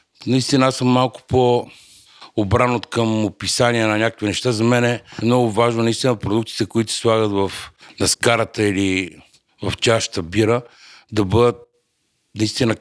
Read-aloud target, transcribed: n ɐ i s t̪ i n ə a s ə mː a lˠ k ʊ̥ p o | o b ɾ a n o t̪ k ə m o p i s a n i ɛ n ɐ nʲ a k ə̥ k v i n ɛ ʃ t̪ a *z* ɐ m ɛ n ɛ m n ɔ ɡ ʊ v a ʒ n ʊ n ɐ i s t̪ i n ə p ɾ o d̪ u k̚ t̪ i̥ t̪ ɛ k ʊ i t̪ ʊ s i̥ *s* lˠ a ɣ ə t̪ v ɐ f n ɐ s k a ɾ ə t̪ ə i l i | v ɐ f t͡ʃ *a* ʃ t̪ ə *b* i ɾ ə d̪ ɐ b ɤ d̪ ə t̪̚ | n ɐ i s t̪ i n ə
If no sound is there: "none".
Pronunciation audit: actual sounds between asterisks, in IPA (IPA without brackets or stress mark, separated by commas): z, s, a, b